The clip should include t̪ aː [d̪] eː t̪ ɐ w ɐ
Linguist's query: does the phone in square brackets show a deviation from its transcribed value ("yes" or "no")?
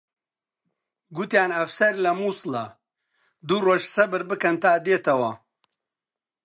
no